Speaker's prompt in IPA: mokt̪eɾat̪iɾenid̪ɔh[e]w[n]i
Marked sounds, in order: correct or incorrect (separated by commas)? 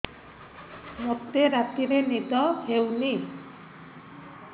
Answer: correct, correct